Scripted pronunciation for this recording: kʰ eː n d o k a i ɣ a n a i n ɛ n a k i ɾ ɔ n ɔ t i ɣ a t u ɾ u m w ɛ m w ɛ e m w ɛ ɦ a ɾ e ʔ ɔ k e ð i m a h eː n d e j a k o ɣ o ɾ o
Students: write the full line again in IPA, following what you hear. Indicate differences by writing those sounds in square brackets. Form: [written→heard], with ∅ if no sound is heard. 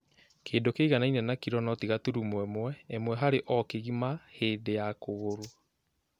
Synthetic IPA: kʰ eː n d o k [a→e] i ɣ a n a i n ɛ n a k i ɾ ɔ n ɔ t i ɣ a t u ɾ u m w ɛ m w ɛ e m w ɛ ɦ a ɾ e ʔ ɔ k e [ð→ɣ] i m a h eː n d e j a k o ɣ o ɾ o